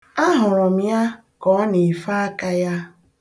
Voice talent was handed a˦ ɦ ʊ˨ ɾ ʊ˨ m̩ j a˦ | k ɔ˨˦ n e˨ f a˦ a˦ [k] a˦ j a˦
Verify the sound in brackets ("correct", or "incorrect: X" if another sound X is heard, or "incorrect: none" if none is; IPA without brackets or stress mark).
correct